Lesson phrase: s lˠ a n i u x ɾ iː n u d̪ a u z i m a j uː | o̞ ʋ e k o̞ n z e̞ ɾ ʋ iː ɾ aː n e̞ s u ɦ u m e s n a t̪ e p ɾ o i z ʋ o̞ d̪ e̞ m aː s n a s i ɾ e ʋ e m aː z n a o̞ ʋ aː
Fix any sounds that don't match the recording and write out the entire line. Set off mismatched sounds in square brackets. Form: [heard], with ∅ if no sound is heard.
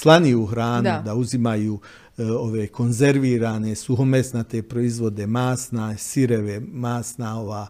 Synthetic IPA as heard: s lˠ a n i u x ɾ [aː] n u d̪ a u z i m a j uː | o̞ ʋ e k o̞ n z e̞ ɾ ʋ iː ɾ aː n e̞ s u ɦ [o] m e s n a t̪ e p ɾ o i z ʋ o̞ d̪ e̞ m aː s n a s i ɾ e ʋ e m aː [s] n a o̞ ʋ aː